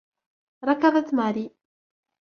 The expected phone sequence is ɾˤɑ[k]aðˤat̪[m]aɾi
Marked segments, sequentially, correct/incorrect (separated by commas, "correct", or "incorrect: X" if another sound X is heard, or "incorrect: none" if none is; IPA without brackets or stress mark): correct, correct